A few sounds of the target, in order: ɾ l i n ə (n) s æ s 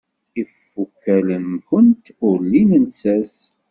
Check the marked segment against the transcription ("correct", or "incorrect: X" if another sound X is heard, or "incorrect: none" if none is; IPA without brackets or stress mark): correct